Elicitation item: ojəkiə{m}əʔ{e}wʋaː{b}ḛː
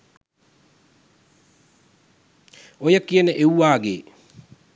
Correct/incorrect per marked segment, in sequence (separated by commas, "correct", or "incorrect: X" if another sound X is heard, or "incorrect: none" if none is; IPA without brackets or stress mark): incorrect: n, correct, incorrect: ɡ